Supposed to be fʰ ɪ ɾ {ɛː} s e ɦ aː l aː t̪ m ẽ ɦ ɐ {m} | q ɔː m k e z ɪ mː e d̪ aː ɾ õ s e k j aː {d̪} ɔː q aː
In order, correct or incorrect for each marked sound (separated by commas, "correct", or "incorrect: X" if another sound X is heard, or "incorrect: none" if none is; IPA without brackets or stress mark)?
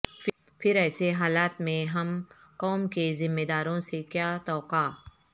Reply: correct, correct, incorrect: t̪